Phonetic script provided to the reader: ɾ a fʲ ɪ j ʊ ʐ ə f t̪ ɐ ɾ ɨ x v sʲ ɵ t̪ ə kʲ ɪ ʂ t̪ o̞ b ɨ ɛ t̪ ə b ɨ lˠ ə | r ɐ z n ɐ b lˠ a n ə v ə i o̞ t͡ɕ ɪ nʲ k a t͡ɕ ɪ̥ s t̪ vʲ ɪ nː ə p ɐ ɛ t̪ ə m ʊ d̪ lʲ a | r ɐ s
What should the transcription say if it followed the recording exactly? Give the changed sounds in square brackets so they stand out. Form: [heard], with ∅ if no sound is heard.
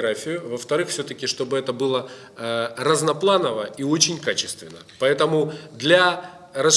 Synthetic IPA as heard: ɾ a fʲ ɪ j ʊ [v] ə f t̪ ɐ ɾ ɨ x [f] sʲ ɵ t̪ ə kʲ ɪ ʂ t̪ o̞ b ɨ ɛ t̪ ə b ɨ lˠ ə | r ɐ z n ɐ [p] lˠ a n ə v ə i o̞ t͡ɕ ɪ nʲ k a t͡ɕ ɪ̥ s t̪ vʲ ɪ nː ə p ɐ ɛ t̪ ə m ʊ d̪ lʲ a | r ɐ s